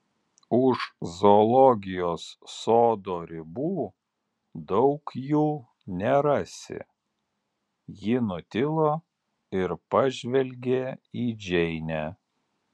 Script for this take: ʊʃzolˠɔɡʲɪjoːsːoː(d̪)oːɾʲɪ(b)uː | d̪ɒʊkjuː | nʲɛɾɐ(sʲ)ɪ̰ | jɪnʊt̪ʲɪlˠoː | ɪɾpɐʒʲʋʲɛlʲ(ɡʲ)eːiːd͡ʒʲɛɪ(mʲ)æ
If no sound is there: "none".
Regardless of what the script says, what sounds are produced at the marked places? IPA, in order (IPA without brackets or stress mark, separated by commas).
d̪, b, sʲ, ɡʲ, nʲ